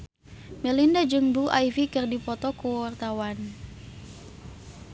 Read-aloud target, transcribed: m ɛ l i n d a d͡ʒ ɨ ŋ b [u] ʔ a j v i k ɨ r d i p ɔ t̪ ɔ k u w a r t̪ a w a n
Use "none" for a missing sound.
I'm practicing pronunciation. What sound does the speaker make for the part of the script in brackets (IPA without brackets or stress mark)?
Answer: u